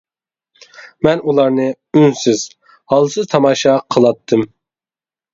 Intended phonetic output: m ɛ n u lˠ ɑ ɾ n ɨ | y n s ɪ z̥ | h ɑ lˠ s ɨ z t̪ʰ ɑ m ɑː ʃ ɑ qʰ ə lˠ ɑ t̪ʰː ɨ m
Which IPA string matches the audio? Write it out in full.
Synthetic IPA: m ɛ n u lˠ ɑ ɾ n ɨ | y n s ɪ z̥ | h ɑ lˠ s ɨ z t̪ʰ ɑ m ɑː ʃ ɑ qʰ ə lˠ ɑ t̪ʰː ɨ m